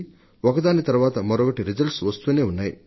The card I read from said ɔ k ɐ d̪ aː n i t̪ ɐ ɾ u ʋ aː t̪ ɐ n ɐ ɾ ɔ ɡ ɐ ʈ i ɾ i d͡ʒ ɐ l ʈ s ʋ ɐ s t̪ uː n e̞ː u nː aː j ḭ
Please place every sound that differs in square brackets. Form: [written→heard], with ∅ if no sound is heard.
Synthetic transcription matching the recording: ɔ k ɐ d̪ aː n i t̪ ɐ ɾ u ʋ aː t̪ ɐ [n→m] ɐ ɾ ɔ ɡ ɐ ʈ i ɾ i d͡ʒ ɐ l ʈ s ʋ ɐ s t̪ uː n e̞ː u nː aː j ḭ